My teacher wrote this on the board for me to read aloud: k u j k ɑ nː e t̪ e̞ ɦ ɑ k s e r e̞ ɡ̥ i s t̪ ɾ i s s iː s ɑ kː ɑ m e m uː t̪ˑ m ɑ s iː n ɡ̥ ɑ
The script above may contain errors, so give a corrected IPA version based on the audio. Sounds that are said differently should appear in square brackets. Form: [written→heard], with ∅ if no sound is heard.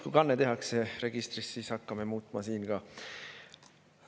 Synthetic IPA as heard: k u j k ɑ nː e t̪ e̞ ɦ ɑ k s e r e̞ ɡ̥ i s t̪ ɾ i s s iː s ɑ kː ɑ m e m uː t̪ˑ m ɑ s iː n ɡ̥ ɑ